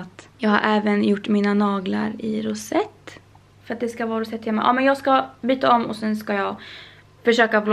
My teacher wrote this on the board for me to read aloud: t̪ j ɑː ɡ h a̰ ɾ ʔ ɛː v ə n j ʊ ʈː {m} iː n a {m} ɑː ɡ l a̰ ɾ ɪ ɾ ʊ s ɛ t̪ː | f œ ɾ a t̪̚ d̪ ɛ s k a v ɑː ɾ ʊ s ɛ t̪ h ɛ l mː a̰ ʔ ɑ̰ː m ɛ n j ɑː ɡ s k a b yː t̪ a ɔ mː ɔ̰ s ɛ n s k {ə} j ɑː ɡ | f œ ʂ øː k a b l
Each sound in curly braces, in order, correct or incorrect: correct, incorrect, incorrect

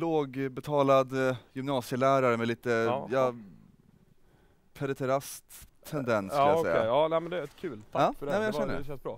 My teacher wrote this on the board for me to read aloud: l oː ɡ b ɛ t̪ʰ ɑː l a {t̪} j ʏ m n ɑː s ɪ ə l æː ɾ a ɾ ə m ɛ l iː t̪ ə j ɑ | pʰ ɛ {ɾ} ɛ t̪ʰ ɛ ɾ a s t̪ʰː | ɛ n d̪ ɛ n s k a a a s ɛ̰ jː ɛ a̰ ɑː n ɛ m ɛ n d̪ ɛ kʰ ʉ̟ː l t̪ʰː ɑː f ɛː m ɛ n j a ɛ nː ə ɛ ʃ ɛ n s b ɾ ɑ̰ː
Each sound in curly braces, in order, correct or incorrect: incorrect, correct

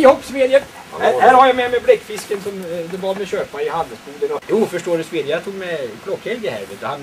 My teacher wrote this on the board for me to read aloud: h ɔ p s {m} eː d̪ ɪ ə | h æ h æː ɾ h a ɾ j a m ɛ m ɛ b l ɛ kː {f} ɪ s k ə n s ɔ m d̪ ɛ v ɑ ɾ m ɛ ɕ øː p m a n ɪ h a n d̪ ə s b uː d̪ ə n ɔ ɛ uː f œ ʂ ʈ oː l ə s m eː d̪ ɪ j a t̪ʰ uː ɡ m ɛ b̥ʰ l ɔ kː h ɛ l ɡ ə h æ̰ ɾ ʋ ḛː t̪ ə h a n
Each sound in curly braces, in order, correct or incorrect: correct, correct

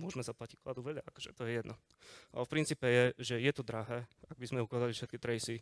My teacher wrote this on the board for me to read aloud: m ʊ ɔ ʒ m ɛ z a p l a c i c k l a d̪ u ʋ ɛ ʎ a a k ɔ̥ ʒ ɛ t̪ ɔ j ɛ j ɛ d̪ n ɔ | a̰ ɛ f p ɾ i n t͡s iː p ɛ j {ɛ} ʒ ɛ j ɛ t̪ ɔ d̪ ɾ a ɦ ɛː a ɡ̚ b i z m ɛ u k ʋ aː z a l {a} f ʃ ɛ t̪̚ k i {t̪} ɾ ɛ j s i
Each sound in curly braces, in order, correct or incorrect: correct, incorrect, correct

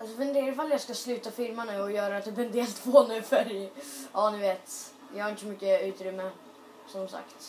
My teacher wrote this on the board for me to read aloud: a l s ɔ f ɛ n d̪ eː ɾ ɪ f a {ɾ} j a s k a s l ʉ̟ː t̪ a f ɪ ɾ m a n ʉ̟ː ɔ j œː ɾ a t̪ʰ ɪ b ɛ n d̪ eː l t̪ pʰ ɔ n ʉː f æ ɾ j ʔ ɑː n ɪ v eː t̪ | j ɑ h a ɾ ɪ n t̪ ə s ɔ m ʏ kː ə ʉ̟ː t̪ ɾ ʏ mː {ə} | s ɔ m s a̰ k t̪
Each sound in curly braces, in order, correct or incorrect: incorrect, correct

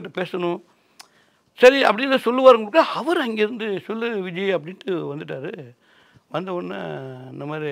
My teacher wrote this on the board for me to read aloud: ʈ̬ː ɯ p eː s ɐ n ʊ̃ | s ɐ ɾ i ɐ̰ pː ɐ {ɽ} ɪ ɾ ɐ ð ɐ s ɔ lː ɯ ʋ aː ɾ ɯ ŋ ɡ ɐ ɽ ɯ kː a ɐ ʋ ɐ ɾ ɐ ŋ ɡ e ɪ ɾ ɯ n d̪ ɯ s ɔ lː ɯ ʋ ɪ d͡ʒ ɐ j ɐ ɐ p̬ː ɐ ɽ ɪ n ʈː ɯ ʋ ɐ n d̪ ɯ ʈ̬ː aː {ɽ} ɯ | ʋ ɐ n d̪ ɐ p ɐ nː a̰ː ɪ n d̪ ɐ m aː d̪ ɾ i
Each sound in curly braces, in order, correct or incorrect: correct, incorrect

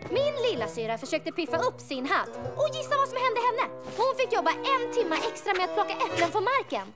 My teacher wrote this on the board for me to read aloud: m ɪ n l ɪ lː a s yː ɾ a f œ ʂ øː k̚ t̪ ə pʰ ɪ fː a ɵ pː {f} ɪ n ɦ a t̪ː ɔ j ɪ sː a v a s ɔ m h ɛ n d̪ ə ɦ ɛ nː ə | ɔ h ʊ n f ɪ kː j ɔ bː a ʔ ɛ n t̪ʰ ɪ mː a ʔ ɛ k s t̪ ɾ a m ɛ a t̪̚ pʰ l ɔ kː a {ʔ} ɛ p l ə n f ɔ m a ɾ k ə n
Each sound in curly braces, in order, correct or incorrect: incorrect, correct

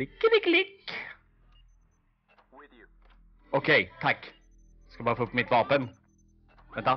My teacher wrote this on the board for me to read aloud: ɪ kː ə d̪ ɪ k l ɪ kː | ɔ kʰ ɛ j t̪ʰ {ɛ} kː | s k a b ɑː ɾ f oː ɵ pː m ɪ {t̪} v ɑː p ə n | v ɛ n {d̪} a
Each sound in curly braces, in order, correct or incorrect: incorrect, correct, incorrect

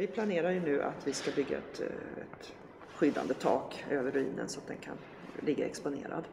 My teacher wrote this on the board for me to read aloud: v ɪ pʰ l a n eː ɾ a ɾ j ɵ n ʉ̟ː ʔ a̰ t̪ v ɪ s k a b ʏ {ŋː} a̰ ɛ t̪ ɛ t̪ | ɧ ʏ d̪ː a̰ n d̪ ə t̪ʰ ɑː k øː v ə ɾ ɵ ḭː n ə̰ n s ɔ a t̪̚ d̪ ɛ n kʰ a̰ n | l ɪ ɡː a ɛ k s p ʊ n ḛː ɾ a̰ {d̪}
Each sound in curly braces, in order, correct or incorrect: incorrect, correct

